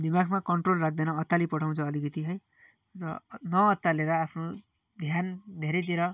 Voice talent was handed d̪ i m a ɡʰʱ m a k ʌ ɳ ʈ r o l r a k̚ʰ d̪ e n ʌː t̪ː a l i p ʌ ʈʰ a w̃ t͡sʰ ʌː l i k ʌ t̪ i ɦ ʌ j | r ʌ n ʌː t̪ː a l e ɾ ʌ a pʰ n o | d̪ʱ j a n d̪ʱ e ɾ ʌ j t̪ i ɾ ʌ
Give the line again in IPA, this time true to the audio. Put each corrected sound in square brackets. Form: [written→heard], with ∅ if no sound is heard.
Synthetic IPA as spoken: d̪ i m a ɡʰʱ m a k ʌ ɳ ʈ r o l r a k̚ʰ d̪ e n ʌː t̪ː a l i p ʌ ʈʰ a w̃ t͡sʰ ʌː l i k ʌ t̪ i ɦ ʌ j | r ʌ n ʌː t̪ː a l e ɾ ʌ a pʰ n o | d̪ʱ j a n d̪ʱ e ɾ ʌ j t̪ i ɾ ʌ